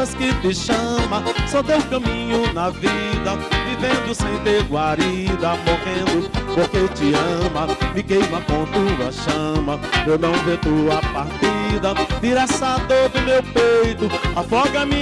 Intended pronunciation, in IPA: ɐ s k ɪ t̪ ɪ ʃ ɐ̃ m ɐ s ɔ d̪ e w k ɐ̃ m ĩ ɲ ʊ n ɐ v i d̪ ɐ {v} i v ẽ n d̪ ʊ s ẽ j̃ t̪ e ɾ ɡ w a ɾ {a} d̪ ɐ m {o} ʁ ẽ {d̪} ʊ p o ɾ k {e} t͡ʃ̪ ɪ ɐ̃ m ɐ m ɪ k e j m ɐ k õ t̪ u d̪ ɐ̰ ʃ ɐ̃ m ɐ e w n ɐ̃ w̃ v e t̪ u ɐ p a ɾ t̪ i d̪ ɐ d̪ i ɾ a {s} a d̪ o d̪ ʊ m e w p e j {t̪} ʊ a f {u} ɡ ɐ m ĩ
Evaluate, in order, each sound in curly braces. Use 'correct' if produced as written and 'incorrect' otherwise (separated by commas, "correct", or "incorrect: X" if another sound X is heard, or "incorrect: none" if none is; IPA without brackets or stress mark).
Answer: correct, incorrect: i, correct, correct, correct, correct, correct, incorrect: ɔ